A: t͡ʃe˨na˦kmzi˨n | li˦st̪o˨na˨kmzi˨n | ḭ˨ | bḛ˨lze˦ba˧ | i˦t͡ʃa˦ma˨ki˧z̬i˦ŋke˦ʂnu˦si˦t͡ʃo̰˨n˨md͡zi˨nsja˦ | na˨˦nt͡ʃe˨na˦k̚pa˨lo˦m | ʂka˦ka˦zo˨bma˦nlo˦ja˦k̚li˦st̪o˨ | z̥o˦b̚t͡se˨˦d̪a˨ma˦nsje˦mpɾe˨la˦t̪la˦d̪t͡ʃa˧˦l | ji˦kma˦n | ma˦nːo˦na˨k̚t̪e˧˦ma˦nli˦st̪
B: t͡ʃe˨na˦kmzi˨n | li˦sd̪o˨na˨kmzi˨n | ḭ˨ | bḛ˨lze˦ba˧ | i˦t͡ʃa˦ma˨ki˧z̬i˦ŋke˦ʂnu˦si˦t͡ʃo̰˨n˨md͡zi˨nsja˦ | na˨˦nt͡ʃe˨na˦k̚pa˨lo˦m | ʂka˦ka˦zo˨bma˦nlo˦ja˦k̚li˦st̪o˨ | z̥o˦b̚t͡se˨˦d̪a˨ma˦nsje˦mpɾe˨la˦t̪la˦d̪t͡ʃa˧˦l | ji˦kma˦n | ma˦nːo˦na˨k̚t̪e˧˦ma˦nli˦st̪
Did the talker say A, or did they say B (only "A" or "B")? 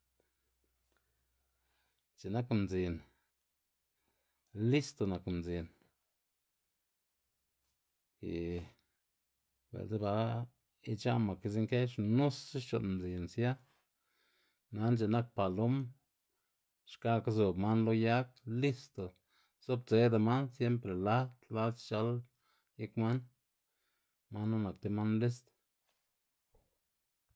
A